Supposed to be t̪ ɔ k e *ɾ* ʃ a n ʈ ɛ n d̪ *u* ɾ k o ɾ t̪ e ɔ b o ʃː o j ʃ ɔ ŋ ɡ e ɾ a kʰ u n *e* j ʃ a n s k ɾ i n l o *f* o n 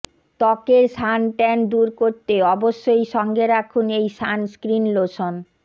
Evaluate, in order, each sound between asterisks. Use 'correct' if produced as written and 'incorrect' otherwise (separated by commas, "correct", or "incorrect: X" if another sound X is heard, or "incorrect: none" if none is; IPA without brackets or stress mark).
correct, correct, correct, incorrect: ʃ